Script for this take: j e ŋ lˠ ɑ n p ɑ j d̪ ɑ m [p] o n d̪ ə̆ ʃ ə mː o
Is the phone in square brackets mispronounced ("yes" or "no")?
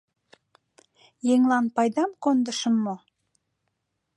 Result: yes